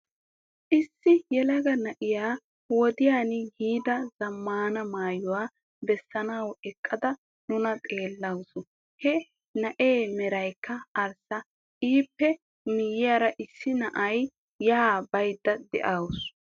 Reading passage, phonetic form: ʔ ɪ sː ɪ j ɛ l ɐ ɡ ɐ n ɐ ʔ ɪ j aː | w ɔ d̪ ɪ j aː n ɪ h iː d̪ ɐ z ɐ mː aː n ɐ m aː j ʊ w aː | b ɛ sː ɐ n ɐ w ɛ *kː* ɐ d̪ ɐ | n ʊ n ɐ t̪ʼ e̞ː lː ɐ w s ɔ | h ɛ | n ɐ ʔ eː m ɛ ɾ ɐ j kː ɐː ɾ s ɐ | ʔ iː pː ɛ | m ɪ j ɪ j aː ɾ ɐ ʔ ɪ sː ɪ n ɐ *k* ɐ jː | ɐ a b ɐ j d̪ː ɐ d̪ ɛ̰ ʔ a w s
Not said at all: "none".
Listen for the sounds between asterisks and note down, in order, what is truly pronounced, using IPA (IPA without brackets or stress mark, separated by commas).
kʼː, ʔ